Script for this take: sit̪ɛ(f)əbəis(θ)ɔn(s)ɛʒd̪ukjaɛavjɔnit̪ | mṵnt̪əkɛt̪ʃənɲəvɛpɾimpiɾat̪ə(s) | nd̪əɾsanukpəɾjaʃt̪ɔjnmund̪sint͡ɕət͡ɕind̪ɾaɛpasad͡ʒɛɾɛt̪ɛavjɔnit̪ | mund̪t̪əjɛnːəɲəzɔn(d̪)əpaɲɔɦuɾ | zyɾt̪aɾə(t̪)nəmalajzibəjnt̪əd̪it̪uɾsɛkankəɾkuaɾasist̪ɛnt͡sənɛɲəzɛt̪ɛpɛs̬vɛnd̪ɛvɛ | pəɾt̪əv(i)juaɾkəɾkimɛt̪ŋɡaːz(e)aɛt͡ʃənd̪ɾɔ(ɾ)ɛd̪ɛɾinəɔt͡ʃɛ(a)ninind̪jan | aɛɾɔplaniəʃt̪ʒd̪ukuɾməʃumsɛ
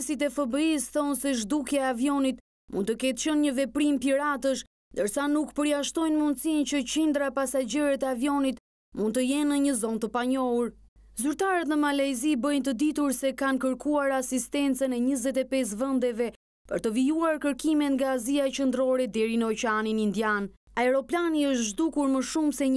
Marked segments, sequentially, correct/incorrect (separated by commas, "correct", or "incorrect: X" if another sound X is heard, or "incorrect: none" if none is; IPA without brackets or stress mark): correct, correct, correct, incorrect: ʃ, incorrect: t̪, correct, correct, incorrect: i, correct, correct